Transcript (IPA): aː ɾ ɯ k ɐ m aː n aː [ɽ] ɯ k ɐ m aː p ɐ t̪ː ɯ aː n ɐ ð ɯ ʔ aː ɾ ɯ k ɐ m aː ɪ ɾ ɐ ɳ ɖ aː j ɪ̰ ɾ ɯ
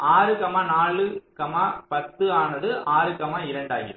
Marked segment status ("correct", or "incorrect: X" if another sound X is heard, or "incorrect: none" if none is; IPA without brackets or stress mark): incorrect: ɭ